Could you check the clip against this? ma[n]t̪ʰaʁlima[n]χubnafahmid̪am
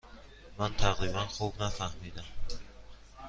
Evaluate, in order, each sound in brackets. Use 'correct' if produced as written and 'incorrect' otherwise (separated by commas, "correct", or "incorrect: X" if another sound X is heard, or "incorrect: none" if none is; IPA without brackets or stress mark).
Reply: correct, correct